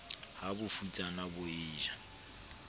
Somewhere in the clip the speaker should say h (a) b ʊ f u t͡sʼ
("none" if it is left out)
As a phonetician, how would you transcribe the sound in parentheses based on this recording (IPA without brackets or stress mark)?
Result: a